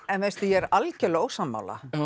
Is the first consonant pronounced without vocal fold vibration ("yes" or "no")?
no